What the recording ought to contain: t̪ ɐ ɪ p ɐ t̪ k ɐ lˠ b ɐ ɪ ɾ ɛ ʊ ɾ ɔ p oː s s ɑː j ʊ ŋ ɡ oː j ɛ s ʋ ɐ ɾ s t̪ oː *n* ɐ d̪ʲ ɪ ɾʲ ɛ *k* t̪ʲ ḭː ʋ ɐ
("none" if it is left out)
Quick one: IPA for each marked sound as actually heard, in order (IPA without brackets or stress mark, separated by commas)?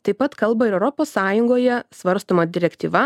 m, k